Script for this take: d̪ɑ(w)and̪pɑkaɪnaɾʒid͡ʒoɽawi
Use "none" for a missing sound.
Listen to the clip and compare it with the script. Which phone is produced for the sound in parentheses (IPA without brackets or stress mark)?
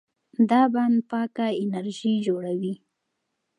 b